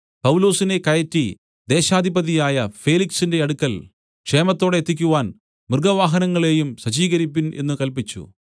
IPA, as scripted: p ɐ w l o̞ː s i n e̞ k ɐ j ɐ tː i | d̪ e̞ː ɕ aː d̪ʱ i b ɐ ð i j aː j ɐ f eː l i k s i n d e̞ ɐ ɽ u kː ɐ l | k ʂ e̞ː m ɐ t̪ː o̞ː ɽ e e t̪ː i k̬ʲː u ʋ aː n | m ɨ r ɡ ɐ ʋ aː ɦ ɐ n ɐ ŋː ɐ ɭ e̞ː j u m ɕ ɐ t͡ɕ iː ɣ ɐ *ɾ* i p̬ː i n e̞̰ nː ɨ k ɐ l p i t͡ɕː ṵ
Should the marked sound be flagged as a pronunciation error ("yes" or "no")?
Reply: no